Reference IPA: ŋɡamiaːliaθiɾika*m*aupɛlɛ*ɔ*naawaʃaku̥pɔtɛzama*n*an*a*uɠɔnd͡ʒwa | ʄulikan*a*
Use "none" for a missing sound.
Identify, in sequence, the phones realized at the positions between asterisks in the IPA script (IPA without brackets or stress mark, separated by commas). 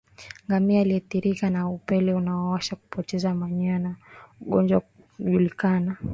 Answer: n, u, ɲ, a, a